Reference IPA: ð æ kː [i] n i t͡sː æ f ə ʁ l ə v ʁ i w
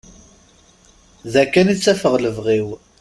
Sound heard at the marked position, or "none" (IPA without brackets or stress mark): æ